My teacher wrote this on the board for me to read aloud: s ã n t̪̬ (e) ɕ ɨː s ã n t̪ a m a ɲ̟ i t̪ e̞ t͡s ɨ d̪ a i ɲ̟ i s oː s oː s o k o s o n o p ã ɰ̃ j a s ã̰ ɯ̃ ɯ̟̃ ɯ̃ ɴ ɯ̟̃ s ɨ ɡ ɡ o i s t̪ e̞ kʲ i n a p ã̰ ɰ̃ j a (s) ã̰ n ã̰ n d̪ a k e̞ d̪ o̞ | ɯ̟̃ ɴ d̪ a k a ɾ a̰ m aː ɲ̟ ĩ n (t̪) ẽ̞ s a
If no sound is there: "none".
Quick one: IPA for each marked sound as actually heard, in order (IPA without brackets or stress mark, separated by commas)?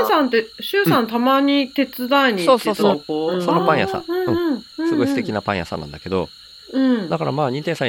e, s, t̪